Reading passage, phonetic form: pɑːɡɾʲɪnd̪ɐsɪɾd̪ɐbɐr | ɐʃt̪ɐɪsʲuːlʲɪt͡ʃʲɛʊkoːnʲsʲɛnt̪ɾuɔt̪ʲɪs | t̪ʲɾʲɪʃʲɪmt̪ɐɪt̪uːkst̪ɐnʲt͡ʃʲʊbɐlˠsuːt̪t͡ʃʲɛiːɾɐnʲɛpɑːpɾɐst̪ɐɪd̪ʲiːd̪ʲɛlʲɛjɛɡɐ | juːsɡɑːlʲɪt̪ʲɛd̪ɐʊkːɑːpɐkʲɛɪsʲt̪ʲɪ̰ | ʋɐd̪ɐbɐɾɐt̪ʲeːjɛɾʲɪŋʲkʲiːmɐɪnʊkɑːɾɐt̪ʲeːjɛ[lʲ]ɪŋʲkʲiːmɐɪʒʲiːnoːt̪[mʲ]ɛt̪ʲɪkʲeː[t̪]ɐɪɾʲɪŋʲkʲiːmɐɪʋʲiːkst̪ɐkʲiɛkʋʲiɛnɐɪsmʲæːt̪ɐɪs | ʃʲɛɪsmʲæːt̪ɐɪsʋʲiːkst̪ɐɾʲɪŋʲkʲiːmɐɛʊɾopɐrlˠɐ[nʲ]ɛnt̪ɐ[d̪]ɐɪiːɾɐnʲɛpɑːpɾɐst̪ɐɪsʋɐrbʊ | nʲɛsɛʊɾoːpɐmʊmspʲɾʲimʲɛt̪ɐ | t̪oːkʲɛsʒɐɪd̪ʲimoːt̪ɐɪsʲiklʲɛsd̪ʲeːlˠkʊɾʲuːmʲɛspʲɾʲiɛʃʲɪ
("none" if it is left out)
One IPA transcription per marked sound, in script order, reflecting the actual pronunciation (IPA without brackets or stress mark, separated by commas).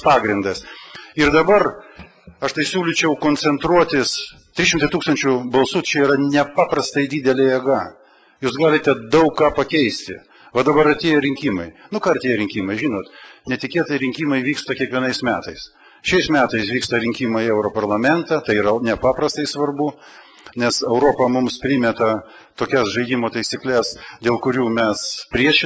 ɾʲ, nʲ, t̪, mʲ, t̪